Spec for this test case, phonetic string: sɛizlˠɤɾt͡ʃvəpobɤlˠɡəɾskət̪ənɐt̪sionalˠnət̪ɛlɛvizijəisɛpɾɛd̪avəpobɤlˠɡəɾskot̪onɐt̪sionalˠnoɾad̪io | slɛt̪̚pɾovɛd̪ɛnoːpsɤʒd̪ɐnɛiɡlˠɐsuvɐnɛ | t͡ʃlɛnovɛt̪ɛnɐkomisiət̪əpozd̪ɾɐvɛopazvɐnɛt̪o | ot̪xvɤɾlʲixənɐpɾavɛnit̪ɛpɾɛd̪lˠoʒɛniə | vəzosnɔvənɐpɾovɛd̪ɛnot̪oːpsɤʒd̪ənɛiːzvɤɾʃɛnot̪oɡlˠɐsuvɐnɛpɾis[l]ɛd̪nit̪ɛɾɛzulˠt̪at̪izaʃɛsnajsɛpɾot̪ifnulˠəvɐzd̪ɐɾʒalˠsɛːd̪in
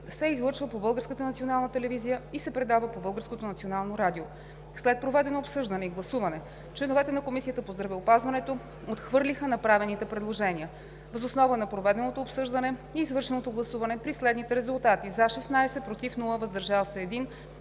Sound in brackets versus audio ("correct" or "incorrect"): correct